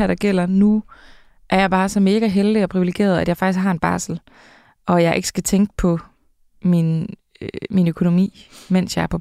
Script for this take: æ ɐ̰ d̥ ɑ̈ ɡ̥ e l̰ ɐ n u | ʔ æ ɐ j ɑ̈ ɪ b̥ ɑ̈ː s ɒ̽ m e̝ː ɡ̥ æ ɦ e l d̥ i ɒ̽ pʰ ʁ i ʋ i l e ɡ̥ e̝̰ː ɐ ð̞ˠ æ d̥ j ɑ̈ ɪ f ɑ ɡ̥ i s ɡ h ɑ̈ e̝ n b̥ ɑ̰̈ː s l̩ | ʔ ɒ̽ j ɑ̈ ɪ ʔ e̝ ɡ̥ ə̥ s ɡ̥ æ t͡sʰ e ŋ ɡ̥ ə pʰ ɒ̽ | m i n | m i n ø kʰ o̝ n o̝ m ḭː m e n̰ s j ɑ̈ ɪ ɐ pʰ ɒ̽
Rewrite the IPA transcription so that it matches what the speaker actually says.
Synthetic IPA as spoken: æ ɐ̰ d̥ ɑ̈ ɡ̥ e l̰ ɐ n u | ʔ æ ɐ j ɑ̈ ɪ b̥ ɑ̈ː s ɒ̽ m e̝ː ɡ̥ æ ɦ e l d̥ i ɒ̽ pʰ ʁ i ʋ i l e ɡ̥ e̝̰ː ɐ ð̞ˠ æ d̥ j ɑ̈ ɪ f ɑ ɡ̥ i s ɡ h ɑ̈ e̝ n b̥ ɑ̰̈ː s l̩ | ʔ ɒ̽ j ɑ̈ ɪ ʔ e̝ ɡ̥ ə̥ s ɡ̥ æ t͡sʰ e ŋ ɡ̥ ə pʰ ɒ̽ | m i n | m i n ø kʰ o̝ n o̝ m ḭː m e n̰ s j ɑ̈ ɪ ɐ pʰ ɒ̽